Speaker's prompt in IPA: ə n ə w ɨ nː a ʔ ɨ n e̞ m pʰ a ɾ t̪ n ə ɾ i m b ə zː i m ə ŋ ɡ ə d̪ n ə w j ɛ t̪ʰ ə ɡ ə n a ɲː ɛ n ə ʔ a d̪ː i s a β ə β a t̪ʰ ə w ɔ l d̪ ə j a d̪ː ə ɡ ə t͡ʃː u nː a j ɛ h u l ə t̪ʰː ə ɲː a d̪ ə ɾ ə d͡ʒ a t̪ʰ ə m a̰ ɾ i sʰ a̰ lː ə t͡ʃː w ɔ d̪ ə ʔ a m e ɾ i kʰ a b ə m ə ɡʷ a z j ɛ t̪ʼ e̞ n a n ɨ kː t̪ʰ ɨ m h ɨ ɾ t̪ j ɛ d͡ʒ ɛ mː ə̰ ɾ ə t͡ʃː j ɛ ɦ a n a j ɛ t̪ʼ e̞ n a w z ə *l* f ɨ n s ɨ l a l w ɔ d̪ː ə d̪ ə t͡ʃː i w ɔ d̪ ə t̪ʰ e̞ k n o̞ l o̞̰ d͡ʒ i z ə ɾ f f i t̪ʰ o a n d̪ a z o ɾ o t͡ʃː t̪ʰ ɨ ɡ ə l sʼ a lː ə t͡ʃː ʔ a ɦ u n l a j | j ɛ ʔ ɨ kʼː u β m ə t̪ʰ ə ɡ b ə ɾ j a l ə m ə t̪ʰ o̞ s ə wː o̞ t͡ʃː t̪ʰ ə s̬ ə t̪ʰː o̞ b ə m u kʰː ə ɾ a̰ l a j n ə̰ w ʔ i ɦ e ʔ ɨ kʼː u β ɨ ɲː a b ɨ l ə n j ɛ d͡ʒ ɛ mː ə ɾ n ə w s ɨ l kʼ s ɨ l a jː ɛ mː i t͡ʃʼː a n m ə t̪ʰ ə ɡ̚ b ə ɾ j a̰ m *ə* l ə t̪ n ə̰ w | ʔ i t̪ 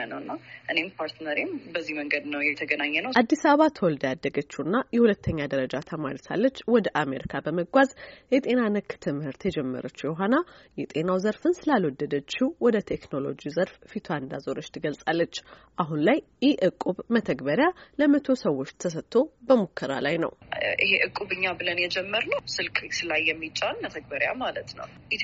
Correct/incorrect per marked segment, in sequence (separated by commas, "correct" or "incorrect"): incorrect, incorrect